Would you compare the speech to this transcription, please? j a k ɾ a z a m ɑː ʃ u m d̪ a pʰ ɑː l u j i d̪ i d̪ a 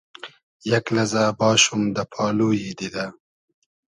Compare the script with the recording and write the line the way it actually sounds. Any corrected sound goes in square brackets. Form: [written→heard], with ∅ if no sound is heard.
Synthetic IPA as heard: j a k [ɾ→l] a z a [m→b] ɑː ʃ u m d̪ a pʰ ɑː l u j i d̪ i d̪ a